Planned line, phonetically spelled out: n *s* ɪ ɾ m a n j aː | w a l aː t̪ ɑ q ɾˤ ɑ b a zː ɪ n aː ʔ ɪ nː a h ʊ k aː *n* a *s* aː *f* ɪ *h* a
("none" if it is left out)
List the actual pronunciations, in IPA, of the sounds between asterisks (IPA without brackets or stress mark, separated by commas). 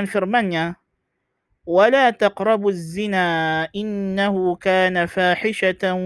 f, n, f, ħ, ʃ